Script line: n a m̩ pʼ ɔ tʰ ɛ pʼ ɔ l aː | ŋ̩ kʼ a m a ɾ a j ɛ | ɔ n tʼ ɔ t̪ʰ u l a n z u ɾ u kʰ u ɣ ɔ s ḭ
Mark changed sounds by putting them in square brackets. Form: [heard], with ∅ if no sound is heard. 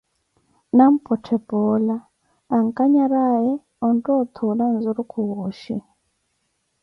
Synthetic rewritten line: n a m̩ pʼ ɔ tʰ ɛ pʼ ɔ l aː | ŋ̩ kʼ a [ɲ] a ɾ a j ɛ | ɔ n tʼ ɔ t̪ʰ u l a n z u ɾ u kʰ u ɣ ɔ [ʃ] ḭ